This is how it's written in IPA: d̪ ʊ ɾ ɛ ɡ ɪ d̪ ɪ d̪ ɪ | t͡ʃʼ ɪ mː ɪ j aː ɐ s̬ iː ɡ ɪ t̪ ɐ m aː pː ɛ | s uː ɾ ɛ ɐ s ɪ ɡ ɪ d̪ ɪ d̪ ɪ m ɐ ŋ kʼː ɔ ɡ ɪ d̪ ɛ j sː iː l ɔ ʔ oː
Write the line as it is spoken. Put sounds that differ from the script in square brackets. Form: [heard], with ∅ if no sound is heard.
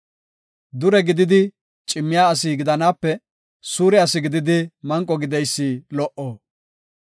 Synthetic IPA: d̪ ʊ ɾ ɛ ɡ ɪ d̪ ɪ d̪ ɪ | t͡ʃʼ ɪ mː ɪ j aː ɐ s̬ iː ɡ ɪ [d̪] ɐ [n] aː pː ɛ | s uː ɾ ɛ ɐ s ɪ ɡ ɪ d̪ ɪ d̪ ɪ m ɐ ŋ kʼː ɔ ɡ ɪ d̪ ɛ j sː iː l ɔ ʔ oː